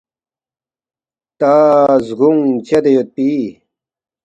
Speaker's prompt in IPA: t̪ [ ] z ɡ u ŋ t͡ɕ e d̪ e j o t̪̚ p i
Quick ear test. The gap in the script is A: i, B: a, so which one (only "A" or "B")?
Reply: B